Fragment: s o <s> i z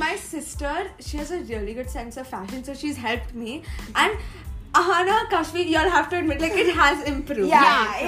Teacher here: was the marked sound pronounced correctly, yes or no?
no